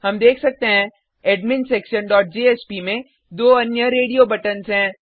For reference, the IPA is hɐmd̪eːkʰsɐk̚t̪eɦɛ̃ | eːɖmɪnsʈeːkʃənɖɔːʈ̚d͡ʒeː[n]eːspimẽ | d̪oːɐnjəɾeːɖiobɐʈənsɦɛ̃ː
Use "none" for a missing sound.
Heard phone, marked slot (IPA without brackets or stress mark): none